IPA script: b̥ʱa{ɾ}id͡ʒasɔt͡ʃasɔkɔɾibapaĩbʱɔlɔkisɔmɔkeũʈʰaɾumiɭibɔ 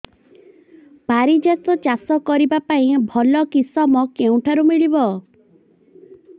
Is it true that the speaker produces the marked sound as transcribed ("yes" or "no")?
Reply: yes